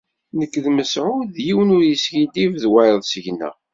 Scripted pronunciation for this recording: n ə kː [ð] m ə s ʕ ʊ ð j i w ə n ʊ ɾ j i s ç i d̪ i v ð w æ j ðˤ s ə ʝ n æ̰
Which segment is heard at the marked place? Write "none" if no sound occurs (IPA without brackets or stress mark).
ð